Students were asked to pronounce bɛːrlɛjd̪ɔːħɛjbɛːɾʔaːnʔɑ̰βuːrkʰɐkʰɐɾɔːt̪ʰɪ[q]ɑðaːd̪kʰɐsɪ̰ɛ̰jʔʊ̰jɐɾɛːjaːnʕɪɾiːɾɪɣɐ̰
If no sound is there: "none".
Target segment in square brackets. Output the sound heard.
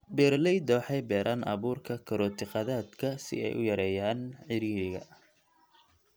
q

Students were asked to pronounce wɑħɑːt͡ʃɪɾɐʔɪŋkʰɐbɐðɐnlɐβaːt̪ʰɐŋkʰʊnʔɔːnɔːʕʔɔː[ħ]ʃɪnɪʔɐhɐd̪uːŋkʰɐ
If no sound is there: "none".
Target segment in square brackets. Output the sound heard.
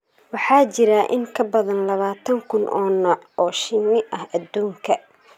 none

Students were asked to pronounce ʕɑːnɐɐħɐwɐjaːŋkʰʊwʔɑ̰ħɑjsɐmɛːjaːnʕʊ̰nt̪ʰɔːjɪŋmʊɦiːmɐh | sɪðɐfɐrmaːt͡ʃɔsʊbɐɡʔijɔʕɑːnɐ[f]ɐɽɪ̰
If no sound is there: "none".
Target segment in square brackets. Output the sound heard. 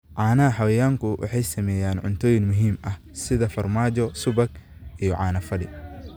f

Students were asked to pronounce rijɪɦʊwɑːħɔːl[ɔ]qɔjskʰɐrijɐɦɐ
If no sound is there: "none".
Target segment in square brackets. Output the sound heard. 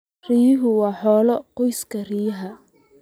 ɔ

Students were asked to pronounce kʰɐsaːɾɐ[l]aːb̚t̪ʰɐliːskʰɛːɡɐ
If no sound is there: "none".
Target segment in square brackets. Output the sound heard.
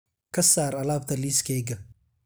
l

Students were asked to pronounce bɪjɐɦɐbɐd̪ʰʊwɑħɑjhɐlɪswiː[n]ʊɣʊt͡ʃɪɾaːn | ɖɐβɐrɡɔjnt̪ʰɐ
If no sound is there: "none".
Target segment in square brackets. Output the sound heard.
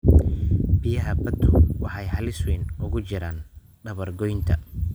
n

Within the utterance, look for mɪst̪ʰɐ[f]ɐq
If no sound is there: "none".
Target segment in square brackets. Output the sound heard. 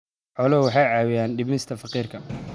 f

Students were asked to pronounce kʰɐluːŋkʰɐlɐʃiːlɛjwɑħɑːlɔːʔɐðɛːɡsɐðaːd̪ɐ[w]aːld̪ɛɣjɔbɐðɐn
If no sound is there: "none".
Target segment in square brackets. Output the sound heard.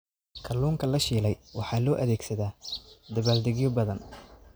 β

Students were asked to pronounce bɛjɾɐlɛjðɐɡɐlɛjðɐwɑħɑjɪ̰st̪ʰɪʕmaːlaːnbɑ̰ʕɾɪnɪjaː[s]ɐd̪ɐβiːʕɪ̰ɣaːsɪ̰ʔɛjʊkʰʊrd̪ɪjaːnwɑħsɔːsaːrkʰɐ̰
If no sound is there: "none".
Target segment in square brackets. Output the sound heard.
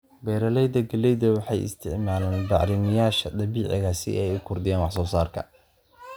ʃ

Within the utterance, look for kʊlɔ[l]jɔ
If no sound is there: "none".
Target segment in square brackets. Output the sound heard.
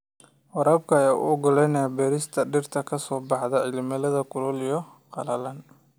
l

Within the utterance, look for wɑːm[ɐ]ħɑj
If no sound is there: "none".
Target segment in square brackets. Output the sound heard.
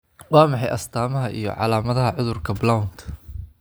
ɑ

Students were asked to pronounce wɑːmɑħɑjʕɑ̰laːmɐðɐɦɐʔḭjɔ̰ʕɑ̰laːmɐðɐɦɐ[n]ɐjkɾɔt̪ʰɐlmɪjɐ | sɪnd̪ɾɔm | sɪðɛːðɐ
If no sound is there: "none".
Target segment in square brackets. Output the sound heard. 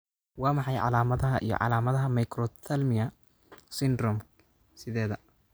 m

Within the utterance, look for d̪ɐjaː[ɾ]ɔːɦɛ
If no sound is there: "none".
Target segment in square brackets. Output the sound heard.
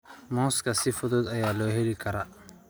l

